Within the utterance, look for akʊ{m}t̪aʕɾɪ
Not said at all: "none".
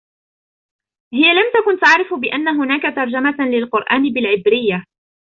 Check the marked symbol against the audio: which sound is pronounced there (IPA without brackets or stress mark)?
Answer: n